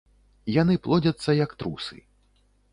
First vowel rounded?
no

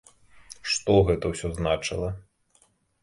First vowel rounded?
yes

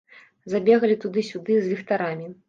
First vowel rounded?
no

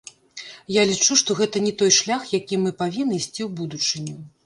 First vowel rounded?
no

